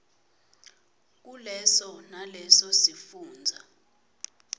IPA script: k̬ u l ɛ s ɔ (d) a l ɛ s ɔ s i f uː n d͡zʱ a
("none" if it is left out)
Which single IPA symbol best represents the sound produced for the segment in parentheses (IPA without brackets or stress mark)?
n